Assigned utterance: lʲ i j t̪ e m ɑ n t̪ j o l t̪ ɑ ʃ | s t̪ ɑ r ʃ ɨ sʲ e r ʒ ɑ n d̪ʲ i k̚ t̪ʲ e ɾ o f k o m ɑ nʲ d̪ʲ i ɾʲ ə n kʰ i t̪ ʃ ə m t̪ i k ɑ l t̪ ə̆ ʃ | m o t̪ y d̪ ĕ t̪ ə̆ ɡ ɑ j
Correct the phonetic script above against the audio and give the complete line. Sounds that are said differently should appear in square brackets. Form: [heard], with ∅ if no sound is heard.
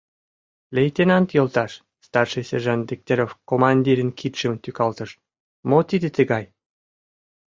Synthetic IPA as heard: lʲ [e] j t̪ e [n] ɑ n t̪ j o l t̪ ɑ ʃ | s t̪ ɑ r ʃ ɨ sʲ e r ʒ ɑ n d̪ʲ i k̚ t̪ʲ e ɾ o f k o m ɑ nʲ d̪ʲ i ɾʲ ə n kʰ i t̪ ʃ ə m t̪ [y] k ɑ l t̪ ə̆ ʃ | m o t̪ [i] d̪ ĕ t̪ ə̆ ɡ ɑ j

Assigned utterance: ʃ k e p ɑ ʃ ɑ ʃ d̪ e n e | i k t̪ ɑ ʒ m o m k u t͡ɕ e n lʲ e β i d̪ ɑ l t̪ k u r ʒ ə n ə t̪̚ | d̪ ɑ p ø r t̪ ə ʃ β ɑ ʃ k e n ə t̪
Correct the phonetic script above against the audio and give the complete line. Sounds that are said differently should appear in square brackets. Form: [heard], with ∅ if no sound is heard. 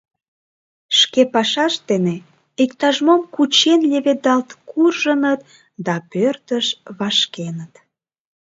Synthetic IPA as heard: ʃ k e p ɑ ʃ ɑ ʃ d̪ e n e | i k t̪ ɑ ʒ m o m k u t͡ɕ e n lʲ e β [e] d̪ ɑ l t̪ k u r ʒ ə n ə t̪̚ | d̪ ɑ p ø r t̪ ə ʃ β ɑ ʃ k e n ə t̪

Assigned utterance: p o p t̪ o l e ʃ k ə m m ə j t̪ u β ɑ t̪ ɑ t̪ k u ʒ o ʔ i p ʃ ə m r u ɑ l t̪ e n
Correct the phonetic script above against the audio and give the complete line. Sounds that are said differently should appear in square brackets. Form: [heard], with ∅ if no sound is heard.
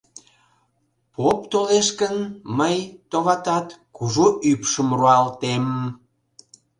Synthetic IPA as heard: p o p t̪ o l e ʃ k ə [n] m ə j t̪ [o] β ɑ t̪ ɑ t̪ k u ʒ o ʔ [y] p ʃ ə m r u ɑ l t̪ e [m]

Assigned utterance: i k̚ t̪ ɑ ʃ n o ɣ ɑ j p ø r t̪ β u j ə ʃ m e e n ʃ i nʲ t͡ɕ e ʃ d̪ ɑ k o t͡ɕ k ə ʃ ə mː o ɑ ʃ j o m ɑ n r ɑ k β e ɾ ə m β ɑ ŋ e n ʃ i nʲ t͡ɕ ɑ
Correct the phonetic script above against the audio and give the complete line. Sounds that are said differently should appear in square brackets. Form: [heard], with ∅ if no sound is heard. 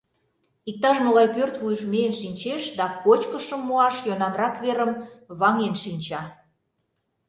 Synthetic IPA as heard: i k̚ t̪ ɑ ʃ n o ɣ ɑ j p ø r t̪ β u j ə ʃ m e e n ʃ i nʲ t͡ɕ e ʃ d̪ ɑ k o t͡ɕ k ə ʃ ə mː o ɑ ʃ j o [n] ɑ n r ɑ k β e ɾ ə m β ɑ ŋ e n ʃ i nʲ t͡ɕ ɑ

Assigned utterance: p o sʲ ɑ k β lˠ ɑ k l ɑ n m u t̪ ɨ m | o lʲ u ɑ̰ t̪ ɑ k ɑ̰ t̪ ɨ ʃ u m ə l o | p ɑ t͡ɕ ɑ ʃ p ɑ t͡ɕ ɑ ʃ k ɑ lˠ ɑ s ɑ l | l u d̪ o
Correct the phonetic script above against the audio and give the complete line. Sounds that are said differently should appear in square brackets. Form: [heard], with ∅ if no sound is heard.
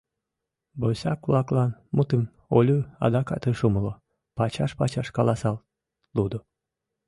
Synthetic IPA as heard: [b] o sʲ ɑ k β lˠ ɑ k l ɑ n m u t̪ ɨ m | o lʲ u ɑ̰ [d̪] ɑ k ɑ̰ t̪ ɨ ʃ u m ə l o | p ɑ t͡ɕ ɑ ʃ p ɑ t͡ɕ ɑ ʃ k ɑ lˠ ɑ s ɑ l | l u d̪ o

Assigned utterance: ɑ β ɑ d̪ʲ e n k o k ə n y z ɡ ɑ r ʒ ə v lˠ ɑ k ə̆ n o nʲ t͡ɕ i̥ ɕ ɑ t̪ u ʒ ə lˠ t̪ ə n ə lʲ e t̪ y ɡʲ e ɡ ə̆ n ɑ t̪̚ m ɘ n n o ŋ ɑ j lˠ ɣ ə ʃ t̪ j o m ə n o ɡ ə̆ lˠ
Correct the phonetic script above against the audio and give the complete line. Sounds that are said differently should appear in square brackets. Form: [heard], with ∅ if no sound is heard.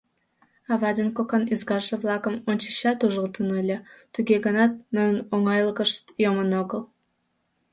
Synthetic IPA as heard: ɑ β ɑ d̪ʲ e n k o k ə n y z ɡ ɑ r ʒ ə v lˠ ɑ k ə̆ [m] o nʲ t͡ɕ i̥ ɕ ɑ t̪ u ʒ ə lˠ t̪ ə n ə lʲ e t̪ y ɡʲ e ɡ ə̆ n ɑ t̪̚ m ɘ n n o ŋ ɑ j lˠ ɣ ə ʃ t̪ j o m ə n o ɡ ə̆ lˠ

